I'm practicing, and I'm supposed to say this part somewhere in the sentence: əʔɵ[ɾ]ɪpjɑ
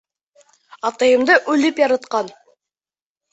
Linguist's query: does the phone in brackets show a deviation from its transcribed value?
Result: yes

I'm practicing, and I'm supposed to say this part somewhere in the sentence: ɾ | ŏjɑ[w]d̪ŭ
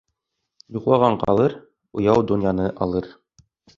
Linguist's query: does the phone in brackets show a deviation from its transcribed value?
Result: no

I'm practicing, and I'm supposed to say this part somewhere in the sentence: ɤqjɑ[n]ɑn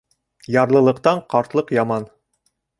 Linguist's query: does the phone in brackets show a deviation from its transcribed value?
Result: yes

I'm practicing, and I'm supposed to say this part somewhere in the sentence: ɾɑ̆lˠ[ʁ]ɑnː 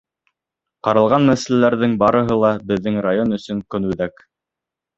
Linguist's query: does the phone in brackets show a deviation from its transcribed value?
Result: no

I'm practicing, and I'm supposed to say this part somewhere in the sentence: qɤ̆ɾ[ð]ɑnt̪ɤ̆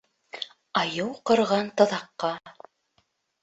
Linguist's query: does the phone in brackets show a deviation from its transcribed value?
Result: yes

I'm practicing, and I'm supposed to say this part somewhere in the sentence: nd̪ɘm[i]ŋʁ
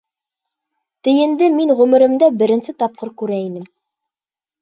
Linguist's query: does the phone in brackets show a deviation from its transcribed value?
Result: no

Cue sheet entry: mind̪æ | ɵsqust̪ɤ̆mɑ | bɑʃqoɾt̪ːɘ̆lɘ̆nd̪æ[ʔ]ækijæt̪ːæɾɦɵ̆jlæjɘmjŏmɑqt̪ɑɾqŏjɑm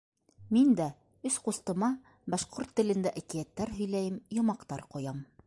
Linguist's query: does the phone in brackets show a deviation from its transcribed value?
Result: no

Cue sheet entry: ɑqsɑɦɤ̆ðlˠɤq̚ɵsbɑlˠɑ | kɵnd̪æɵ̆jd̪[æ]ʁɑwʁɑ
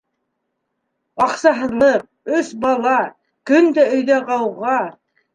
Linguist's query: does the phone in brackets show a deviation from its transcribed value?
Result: no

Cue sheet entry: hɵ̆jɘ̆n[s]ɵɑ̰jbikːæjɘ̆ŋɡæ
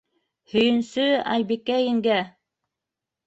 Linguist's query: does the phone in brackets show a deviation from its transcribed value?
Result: no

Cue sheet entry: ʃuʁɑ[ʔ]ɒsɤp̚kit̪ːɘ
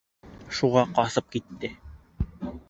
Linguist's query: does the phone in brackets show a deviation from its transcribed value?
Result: yes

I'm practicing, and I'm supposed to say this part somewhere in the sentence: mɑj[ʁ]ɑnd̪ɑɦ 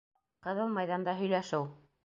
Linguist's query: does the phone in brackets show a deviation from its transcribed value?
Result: yes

